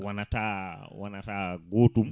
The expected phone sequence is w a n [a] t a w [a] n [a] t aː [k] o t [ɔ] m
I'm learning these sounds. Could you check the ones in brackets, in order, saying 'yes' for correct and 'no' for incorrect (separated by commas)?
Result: yes, yes, yes, no, no